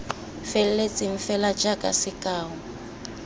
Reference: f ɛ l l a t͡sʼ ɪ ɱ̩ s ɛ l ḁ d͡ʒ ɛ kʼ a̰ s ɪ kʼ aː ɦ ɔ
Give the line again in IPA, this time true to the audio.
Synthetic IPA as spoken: f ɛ l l e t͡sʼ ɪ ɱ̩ f ɛ l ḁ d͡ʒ a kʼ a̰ s ɪ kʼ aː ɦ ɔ